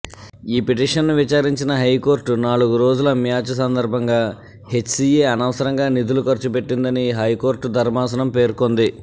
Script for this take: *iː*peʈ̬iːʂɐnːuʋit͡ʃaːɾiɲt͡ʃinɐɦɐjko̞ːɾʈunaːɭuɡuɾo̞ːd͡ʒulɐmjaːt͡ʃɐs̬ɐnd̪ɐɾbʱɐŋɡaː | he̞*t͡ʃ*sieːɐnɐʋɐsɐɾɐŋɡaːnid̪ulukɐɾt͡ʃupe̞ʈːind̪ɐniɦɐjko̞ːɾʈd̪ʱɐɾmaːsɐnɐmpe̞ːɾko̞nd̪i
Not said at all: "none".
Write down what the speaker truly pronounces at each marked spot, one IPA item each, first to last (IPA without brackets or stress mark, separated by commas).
iː, t͡ʃ